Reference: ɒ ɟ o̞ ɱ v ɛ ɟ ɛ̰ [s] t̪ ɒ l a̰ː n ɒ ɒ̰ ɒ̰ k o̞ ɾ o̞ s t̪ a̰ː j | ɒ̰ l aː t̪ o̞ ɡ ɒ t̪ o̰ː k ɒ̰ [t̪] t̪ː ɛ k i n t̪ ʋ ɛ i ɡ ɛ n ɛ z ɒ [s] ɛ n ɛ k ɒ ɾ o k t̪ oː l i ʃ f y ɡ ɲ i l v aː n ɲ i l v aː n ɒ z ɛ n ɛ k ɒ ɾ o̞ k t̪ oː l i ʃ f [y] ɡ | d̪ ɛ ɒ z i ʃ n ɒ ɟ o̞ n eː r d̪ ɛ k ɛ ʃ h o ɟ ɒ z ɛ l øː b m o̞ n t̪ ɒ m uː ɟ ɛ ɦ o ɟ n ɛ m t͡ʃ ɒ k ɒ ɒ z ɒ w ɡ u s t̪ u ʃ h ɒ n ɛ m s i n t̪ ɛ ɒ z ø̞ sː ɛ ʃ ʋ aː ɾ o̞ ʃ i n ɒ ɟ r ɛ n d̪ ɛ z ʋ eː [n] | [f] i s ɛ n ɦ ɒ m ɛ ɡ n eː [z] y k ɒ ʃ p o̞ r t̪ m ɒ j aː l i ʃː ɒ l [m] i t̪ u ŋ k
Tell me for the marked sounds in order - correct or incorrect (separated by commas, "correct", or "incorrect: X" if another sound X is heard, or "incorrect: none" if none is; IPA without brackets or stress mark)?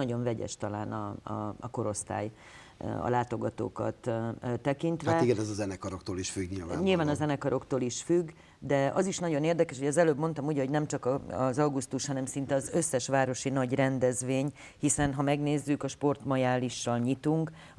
incorrect: ʃ, correct, incorrect: z, correct, incorrect: ɲ, incorrect: h, incorrect: zː, incorrect: ɲ